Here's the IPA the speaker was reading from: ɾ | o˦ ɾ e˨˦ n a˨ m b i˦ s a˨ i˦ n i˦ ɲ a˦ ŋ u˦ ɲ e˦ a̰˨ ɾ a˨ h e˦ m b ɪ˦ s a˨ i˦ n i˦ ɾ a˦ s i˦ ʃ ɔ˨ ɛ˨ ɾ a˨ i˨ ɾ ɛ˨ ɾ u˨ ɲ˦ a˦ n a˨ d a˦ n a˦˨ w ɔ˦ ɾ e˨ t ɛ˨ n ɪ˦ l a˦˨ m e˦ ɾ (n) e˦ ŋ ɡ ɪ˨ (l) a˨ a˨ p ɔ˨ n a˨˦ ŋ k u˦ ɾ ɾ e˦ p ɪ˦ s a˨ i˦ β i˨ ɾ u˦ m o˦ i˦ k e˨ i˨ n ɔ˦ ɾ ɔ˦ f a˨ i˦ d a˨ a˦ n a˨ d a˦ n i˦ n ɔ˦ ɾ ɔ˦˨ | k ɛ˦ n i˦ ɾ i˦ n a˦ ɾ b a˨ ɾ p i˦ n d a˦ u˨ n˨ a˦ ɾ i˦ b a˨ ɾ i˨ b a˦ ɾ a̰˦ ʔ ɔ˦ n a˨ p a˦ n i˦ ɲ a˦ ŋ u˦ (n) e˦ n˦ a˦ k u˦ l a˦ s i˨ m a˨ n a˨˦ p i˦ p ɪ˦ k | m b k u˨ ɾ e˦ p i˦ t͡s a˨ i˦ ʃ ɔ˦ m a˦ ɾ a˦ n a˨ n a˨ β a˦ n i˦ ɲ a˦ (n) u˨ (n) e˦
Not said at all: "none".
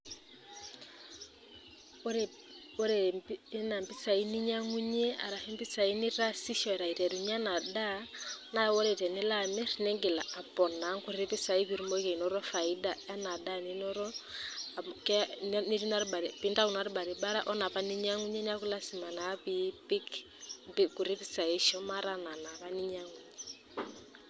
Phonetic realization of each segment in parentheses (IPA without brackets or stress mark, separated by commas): n, l, ɲ, ŋ, ɲ